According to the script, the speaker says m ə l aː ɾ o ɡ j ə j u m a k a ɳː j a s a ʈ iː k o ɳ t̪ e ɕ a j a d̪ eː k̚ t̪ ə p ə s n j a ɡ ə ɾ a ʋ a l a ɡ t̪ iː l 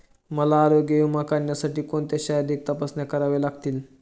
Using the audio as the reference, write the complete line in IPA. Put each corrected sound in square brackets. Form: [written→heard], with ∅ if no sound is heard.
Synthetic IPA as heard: m ə l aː ɾ o ɡ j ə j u m a k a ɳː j a s a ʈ iː k o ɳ t̪ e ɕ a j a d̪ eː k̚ t̪ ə p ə s n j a [ɡ→k] ə ɾ a ʋ [a→e] l a ɡ t̪ iː l